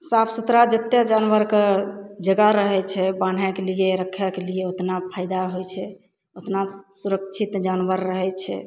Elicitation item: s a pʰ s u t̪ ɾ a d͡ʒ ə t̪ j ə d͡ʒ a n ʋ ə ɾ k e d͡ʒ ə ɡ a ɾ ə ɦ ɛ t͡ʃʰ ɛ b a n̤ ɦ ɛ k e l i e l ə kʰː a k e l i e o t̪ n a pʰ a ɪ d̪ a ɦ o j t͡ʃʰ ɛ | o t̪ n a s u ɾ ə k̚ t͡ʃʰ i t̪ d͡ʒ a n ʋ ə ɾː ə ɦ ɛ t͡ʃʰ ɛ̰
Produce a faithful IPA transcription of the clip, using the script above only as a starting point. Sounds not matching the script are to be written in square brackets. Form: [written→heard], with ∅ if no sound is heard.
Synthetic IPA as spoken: s a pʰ s u t̪ ɾ a d͡ʒ ə t̪ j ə d͡ʒ a n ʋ ə ɾ k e d͡ʒ ə ɡ a ɾ ə ɦ ɛ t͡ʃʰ ɛ b a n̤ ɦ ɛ k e l i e [l→ɾ] ə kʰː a k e l i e o t̪ n a pʰ a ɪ d̪ a ɦ o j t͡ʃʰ ɛ | o t̪ n a s u ɾ ə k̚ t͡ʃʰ i t̪ d͡ʒ a n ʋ ə ɾː ə ɦ ɛ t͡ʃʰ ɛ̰

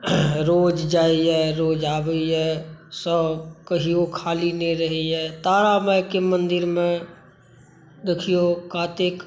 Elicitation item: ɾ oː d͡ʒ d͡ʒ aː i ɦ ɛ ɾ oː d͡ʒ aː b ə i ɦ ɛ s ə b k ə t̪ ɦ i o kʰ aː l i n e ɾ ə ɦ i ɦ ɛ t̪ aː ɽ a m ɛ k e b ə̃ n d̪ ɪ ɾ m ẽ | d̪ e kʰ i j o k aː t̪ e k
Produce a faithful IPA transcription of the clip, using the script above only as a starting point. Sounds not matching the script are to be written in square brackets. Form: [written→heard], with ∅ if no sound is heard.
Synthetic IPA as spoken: ɾ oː d͡ʒ d͡ʒ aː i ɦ ɛ ɾ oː d͡ʒ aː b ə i ɦ ɛ s ə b k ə [t̪→∅] ɦ i o kʰ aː l i n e ɾ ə ɦ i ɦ ɛ t̪ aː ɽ a m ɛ k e [b→m] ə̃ n d̪ ɪ ɾ m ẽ | d̪ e kʰ i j o k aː t̪ e k

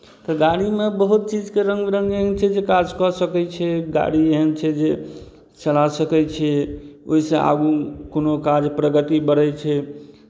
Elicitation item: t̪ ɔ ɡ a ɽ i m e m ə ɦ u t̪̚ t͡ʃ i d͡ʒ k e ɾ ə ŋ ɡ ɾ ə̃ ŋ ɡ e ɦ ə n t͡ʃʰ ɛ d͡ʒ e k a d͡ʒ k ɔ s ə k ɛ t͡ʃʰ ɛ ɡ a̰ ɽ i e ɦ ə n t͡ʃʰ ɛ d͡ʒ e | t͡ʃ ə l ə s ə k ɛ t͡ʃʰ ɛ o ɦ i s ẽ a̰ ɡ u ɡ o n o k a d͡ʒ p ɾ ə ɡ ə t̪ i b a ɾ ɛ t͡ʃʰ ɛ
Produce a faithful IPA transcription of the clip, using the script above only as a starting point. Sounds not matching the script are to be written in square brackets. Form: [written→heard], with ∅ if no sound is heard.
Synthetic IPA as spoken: t̪ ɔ ɡ a ɽ i m e [m→b] ə ɦ u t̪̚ t͡ʃ i d͡ʒ k e ɾ ə ŋ ɡ ɾ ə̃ ŋ ɡ e ɦ ə n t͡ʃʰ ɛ d͡ʒ e k a d͡ʒ k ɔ s ə k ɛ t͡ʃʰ ɛ ɡ a̰ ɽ i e ɦ ə n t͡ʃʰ ɛ d͡ʒ e | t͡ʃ ə l [ə→a] s ə k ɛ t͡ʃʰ ɛ o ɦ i s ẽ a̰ ɡ u [ɡ→k] o n o k a d͡ʒ p ɾ ə ɡ ə t̪ i b [a→ə] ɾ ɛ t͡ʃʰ ɛ

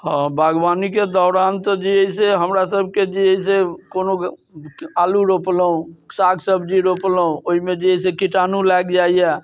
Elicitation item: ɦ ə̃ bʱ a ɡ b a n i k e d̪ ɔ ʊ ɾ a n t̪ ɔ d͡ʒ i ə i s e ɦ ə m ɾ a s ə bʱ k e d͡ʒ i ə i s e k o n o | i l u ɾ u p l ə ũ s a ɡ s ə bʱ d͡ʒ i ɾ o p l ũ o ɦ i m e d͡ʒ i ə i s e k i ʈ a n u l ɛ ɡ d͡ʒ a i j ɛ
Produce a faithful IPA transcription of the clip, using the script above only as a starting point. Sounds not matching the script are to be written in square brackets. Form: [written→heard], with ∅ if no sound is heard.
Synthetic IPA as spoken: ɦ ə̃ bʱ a ɡ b a n i k e d̪ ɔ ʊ ɾ a n t̪ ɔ d͡ʒ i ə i s e ɦ ə m ɾ a s ə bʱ k e d͡ʒ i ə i s e k o n o | [i→a] l u ɾ [u→o] p l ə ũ s a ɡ s ə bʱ d͡ʒ i ɾ o p l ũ o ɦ i m e d͡ʒ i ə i s e k i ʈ a n u l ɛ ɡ d͡ʒ a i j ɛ

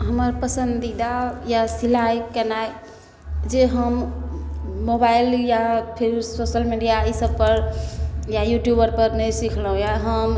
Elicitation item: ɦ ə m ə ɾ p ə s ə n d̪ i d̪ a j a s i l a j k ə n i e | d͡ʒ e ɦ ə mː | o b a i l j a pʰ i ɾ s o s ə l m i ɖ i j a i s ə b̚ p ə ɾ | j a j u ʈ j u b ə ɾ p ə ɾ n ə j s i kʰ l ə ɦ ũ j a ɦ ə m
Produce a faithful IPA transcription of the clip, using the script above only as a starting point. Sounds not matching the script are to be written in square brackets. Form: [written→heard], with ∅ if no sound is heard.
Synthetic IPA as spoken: ɦ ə m ə ɾ p ə s ə n d̪ i d̪ a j a s i l a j k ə n [i→a] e | d͡ʒ e ɦ ə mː | o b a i l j a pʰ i ɾ s o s ə l m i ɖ i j a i s ə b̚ p ə ɾ | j a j u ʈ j u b ə ɾ p ə ɾ n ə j s i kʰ l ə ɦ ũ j a ɦ ə m

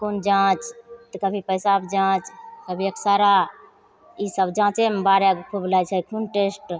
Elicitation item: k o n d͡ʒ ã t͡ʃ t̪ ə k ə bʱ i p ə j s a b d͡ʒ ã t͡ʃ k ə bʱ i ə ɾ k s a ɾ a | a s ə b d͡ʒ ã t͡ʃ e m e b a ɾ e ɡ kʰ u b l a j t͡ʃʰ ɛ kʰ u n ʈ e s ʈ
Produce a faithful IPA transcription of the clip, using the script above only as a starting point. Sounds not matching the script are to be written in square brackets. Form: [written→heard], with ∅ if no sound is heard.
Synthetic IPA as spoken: k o n d͡ʒ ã t͡ʃ t̪ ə k ə bʱ i p ə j s a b d͡ʒ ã t͡ʃ k ə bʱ i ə [ɾ→∅] k s a ɾ a | [a→i] s ə b d͡ʒ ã t͡ʃ e m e b a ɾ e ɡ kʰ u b l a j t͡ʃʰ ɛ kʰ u n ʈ e s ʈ

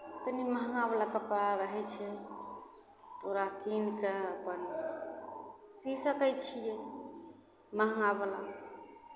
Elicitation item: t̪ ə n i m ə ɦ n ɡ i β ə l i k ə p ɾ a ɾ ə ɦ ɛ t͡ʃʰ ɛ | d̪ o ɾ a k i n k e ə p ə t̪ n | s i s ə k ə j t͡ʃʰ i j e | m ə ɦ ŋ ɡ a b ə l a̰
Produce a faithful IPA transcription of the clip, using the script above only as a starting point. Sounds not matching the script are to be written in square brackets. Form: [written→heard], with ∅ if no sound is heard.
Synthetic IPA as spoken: t̪ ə n i m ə ɦ [n→ŋ] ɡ [i→a] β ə l [i→a] k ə p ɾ a ɾ ə ɦ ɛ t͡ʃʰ ɛ | [d̪→t̪] o ɾ a k i n k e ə p ə [t̪→∅] n | s i s ə k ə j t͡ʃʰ i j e | m ə ɦ ŋ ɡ a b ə l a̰

